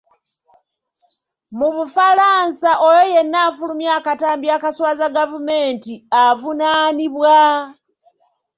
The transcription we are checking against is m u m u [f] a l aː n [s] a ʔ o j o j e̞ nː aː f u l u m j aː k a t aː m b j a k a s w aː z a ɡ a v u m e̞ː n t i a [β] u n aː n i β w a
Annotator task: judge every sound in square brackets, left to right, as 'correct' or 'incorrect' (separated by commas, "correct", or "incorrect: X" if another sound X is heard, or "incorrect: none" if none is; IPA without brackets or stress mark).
correct, correct, incorrect: v